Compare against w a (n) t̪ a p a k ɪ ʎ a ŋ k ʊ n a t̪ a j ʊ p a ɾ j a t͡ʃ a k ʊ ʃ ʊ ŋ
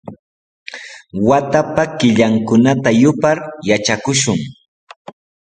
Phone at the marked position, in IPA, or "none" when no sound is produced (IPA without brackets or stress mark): none